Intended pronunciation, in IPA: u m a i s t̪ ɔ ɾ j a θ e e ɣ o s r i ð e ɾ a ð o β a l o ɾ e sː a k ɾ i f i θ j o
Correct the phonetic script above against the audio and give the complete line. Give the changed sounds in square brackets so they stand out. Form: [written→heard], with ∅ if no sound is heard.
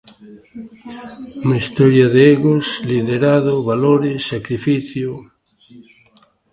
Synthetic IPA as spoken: u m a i s t̪ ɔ ɾ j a [θ→ð] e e ɣ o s [r→l] i ð e ɾ a ð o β a l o ɾ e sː a k ɾ i f i θ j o